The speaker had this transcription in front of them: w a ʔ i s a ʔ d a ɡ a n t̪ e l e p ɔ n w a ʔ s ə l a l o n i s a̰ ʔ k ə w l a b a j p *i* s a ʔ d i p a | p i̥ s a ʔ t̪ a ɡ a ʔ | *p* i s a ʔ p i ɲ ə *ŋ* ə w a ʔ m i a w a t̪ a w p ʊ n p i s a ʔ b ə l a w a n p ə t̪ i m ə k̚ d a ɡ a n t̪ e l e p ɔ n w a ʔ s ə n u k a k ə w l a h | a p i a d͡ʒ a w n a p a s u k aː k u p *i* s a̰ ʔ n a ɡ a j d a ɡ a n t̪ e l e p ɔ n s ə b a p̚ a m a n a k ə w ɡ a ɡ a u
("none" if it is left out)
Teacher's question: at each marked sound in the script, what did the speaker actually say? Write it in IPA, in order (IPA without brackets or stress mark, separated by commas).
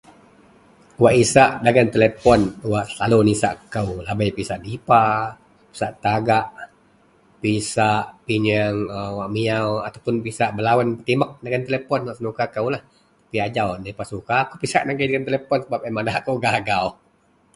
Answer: i, p, ŋ, i